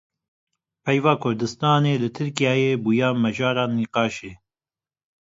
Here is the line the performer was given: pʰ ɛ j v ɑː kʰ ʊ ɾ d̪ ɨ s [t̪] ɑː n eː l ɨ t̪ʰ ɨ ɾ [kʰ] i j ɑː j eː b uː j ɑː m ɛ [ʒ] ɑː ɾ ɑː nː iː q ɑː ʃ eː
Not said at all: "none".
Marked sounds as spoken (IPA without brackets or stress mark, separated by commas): t̪, k, ʒ